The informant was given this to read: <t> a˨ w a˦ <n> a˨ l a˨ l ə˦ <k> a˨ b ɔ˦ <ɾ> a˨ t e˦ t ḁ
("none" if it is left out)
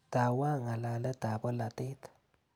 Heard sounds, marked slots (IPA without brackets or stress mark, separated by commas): t, ŋ, t, l